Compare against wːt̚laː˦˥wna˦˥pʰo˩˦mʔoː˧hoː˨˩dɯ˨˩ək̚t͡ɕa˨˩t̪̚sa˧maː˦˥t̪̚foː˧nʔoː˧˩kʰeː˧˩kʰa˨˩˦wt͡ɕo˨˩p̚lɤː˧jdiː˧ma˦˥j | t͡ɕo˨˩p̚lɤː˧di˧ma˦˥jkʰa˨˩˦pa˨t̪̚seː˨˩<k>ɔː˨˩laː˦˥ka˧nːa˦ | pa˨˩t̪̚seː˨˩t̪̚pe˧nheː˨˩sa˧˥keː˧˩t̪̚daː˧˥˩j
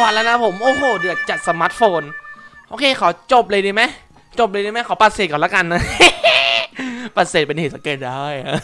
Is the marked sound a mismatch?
no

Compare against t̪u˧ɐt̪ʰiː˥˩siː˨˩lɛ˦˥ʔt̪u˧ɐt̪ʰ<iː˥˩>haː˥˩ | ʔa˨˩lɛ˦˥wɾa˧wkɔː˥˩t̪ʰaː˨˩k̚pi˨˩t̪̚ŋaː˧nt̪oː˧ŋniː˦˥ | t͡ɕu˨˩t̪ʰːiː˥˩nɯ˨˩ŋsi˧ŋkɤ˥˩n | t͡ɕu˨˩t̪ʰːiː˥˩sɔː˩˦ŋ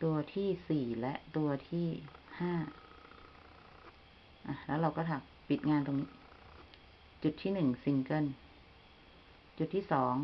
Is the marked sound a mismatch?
no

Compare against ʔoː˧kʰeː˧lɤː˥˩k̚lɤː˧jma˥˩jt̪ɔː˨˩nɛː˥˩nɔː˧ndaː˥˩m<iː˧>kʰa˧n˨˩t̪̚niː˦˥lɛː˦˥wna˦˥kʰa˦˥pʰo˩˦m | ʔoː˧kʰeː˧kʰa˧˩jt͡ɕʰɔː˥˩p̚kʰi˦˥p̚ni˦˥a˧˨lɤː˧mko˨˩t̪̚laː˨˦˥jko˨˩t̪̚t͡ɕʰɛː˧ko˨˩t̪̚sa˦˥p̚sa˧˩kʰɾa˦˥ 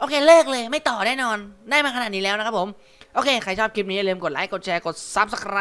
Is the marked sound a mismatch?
yes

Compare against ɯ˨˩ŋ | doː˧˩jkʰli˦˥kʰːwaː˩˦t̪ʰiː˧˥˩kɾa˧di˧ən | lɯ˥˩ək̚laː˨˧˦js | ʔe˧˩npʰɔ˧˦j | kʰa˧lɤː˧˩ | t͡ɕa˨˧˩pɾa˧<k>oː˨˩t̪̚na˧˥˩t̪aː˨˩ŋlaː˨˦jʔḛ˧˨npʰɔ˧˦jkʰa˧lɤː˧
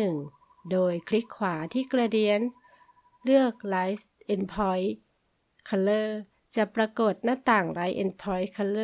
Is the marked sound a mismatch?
no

